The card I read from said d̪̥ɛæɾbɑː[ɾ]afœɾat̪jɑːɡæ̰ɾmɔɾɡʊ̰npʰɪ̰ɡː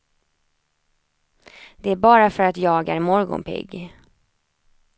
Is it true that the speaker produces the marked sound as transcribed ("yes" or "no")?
yes